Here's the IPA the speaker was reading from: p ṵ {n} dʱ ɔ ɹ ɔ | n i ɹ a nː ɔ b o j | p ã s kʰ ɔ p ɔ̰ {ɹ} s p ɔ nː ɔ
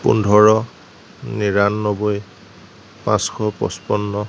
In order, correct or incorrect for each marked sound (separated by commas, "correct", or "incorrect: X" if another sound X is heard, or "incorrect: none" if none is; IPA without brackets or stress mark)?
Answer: correct, incorrect: none